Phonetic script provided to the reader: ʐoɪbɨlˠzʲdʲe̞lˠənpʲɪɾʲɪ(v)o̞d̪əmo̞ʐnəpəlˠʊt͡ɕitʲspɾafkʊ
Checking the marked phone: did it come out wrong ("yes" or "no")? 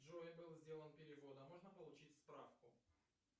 no